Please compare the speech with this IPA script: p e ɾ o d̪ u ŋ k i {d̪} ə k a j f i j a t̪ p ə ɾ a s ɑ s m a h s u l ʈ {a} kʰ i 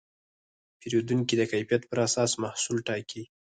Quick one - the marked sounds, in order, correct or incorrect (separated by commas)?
correct, incorrect